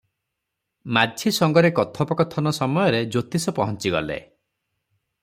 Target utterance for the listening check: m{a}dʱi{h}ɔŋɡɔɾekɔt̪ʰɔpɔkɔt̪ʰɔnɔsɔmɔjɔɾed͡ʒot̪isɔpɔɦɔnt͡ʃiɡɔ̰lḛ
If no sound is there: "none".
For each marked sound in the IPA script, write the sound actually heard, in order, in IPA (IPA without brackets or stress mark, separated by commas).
a, s